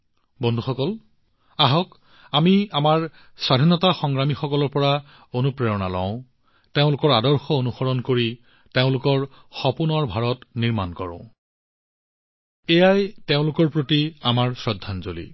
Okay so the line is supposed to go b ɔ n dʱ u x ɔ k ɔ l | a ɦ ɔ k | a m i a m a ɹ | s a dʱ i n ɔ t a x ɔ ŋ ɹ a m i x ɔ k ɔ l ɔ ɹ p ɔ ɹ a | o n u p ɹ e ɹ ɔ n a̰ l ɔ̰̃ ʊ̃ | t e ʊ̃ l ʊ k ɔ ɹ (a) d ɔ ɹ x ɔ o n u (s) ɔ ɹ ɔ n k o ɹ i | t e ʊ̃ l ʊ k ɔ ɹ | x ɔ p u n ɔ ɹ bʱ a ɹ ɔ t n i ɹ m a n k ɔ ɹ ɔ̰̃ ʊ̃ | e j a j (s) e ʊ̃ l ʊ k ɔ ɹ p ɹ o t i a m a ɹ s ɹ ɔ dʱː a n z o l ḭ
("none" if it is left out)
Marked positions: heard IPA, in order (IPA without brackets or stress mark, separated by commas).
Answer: a, x, t